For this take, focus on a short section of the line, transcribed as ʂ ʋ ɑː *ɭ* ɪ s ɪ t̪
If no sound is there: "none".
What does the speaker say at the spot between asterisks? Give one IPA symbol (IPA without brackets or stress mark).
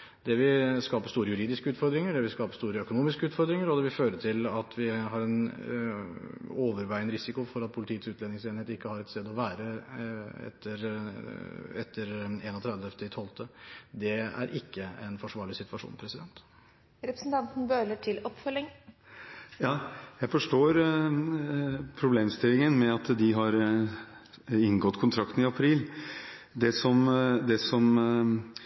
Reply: ɭ